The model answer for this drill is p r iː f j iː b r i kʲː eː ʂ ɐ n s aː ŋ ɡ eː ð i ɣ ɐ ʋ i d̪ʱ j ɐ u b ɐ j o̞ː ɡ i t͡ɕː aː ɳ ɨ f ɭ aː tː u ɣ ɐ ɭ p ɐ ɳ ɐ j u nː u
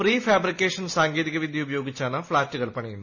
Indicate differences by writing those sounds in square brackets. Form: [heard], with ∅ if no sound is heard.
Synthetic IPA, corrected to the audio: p r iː f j [aː] b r i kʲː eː ʂ ɐ n s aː ŋ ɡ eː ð i ɣ ɐ ʋ i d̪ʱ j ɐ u b ɐ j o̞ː ɡ i t͡ɕː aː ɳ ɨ f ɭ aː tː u ɣ ɐ ɭ p ɐ ɳ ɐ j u nː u

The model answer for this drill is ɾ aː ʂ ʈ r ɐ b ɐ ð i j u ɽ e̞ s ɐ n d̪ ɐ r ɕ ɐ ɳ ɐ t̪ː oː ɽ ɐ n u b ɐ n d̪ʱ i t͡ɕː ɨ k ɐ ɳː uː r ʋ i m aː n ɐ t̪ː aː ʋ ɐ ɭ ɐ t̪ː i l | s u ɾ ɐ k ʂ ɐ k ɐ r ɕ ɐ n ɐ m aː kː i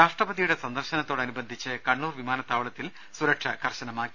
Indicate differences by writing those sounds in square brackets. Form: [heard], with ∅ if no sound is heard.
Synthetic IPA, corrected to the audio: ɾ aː ʂ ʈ r ɐ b ɐ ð i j u ɽ e̞ s ɐ n d̪ ɐ r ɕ ɐ [n] ɐ t̪ː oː ɽ ɐ n u b ɐ n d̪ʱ i t͡ɕː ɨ k ɐ ɳː uː r ʋ i m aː n ɐ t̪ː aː ʋ ɐ ɭ ɐ t̪ː i l | s u ɾ ɐ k ʂ ɐ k ɐ r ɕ ɐ n ɐ m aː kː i

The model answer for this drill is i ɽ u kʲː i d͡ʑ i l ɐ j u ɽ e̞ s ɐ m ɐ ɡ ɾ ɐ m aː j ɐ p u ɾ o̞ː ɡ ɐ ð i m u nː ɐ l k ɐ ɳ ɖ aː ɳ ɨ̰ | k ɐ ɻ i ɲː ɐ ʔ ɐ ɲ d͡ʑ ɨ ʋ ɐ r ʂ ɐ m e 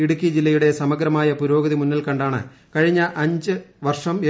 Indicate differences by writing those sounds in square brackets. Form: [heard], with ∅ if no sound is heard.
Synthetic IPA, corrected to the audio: i ɽ u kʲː i d͡ʑ i [lː] ɐ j u ɽ e̞ s ɐ m ɐ ɡ ɾ ɐ m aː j ɐ p u ɾ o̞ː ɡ ɐ ð i m u nː ɐ l k ɐ ɳ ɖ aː ɳ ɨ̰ | k ɐ ɻ i ɲː ɐ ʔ ɐ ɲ d͡ʑ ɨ ʋ ɐ r ʂ ɐ m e

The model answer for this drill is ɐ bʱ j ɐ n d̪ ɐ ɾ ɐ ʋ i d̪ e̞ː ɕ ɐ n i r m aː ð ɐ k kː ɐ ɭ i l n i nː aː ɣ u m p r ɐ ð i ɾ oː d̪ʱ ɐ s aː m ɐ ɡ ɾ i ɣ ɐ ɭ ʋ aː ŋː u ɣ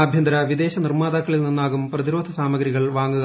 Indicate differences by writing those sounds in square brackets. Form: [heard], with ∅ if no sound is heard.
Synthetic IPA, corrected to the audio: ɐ bʱ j ɐ n d̪ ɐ ɾ ɐ ʋ i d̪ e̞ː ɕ ɐ n i r m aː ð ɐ k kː ɐ ɭ i l n i nː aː ɣ u m p r ɐ ð i ɾ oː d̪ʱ ɐ s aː m ɐ ɡ ɾ i ɣ ɐ ɭ ʋ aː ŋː u ɣ

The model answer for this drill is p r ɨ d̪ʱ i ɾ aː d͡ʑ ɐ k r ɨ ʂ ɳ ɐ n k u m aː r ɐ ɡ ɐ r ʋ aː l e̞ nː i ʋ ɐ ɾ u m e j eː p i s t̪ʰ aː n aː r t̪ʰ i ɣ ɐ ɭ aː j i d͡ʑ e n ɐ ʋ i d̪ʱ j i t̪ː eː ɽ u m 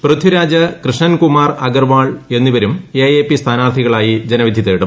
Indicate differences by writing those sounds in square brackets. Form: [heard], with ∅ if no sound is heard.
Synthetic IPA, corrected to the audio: p r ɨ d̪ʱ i ɾ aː d͡ʑ ɐ k r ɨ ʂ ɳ ɐ n k u m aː r ɐ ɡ ɐ r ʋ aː [ɭ] e̞ nː i ʋ ɐ ɾ u m e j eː p i s t̪ʰ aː n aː r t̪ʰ i ɣ ɐ ɭ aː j i d͡ʑ e n ɐ ʋ i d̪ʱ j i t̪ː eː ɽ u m

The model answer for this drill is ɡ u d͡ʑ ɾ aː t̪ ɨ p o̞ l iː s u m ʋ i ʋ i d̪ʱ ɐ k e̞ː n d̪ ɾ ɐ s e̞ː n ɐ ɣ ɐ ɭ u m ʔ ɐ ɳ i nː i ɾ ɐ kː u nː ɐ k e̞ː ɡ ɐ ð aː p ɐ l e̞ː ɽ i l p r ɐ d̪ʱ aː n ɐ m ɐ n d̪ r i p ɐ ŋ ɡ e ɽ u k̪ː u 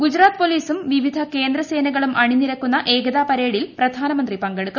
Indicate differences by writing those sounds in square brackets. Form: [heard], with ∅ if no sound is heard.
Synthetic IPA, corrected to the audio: ɡ u d͡ʑ ɾ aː t̪ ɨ p o̞ l iː s u m ʋ i ʋ i d̪ʱ ɐ k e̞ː n d̪ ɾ ɐ s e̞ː n ɐ ɣ ɐ ɭ u m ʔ ɐ ɳ i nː i ɾ ɐ kː u nː ɐ [ʔ] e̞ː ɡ ɐ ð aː p ɐ [ɾ] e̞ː ɽ i l p r ɐ d̪ʱ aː n ɐ m ɐ n d̪ r i p ɐ ŋ ɡ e ɽ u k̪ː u

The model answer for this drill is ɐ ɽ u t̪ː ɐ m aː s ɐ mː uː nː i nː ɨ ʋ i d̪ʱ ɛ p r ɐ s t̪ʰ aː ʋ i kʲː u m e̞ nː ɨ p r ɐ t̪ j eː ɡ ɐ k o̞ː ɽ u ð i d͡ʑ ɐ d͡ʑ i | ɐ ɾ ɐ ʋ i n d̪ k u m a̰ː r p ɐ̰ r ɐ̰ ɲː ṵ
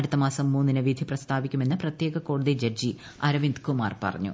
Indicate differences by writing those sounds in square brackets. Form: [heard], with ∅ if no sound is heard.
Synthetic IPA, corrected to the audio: ɐ ɽ u t̪ː ɐ m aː s ɐ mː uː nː i [n] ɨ ʋ i d̪ʱ [i] p r ɐ s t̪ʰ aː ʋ i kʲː u m e̞ nː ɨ p r ɐ t̪ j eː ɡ ɐ k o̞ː ɽ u ð i d͡ʑ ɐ d͡ʑ i | ɐ ɾ ɐ ʋ i n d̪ k u m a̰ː r p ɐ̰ r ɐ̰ ɲː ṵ

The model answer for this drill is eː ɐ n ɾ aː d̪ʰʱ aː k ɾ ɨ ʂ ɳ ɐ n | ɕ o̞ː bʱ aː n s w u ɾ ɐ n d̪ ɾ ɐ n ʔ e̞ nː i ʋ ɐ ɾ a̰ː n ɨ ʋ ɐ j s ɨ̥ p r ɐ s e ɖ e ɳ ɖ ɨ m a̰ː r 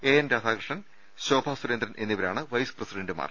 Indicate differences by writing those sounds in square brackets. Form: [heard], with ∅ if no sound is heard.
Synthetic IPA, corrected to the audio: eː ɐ n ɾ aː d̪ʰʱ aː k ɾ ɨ ʂ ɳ ɐ n | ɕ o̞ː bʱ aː [∅] s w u ɾ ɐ n d̪ ɾ ɐ n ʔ e̞ nː i ʋ ɐ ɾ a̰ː [ɳ] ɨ ʋ ɐ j s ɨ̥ p r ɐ s [i] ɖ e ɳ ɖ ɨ m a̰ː r

